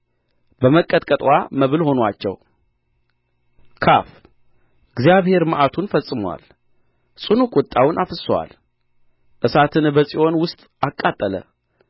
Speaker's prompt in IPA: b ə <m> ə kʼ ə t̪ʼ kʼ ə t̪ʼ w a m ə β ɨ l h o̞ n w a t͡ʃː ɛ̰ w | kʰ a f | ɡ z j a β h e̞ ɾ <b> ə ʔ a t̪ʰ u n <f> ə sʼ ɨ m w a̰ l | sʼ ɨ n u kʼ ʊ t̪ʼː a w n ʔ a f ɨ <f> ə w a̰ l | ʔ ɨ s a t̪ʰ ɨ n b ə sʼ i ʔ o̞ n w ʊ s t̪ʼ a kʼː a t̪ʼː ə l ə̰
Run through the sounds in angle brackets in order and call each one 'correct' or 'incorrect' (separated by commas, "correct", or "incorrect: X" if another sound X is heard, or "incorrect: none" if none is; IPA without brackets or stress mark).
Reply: correct, incorrect: m, correct, incorrect: s